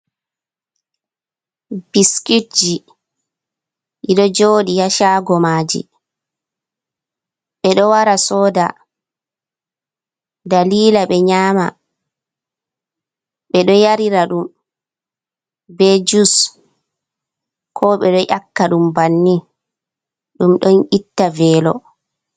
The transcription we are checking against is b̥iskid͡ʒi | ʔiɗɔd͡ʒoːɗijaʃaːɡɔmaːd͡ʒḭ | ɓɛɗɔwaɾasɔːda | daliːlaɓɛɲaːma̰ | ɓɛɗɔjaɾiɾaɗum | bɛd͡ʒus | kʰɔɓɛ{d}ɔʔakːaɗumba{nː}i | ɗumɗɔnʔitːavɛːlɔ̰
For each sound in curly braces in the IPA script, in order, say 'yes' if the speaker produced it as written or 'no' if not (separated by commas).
no, yes